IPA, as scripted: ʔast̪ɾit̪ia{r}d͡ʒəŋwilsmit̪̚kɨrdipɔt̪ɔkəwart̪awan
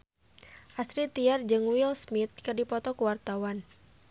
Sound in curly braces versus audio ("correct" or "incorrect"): correct